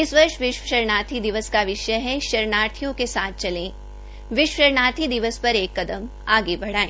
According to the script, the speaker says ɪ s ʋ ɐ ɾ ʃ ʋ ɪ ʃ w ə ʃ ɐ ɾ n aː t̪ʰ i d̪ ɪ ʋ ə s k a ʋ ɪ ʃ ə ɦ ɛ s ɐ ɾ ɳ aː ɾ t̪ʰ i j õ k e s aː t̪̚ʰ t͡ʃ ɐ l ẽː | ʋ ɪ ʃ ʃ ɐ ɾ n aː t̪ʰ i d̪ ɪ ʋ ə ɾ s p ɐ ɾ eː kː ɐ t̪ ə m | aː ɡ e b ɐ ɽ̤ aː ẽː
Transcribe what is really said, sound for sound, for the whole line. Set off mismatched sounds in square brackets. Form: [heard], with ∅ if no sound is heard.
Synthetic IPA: ɪ s ʋ ɐ ɾ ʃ ʋ ɪ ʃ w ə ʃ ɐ ɾ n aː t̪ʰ i d̪ ɪ ʋ ə s k a ʋ ɪ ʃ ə ɦ ɛ [ʃ] ɐ ɾ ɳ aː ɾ t̪ʰ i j õ k e s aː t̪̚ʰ t͡ʃ ɐ l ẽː | ʋ ɪ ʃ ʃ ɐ ɾ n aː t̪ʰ i d̪ ɪ ʋ ə [∅] s p ɐ ɾ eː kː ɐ [d̪] ə m | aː ɡ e b ɐ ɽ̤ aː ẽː